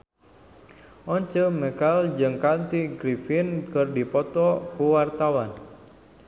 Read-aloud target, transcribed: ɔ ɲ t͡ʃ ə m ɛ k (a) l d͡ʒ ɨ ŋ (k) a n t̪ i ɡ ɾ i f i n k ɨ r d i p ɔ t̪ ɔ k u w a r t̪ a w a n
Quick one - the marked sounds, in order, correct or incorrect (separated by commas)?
correct, correct